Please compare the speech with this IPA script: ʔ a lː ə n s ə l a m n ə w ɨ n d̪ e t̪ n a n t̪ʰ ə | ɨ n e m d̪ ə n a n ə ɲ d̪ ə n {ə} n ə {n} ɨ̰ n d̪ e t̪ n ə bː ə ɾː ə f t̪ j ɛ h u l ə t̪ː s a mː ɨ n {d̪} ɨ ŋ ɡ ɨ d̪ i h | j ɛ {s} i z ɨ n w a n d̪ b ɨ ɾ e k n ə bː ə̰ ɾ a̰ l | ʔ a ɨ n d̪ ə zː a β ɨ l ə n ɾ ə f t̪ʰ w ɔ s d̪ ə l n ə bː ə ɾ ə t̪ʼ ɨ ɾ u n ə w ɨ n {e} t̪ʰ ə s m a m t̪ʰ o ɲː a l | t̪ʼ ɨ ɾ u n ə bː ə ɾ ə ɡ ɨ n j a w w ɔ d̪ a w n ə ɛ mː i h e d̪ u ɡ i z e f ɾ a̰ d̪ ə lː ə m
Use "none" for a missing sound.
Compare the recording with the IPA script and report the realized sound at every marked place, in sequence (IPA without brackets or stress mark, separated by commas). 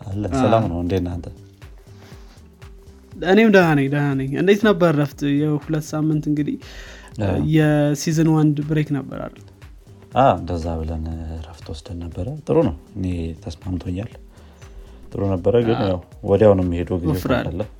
a, ɲ, t̪, s, e